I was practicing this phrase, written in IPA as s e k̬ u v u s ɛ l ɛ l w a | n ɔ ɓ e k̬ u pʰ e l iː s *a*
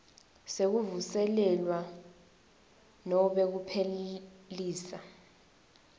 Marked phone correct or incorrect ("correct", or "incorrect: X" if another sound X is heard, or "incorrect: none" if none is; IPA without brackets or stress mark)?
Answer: correct